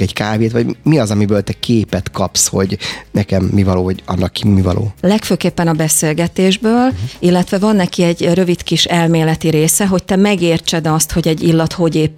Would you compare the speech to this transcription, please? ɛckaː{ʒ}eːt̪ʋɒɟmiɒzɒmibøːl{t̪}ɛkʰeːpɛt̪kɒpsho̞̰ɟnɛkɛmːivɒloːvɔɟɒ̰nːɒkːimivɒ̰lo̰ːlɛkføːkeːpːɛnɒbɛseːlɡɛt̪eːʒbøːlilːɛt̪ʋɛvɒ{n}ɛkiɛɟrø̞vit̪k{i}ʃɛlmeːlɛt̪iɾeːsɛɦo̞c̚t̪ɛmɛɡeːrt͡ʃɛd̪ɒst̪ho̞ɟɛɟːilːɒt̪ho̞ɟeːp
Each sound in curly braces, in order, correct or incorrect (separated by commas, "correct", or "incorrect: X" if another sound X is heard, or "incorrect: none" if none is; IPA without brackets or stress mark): incorrect: v, correct, incorrect: nː, correct